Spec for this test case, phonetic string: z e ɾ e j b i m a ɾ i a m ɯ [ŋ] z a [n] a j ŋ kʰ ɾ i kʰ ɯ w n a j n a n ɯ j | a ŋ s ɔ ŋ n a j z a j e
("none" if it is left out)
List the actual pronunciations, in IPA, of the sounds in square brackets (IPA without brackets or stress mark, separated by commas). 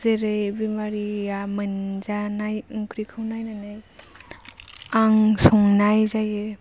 n, n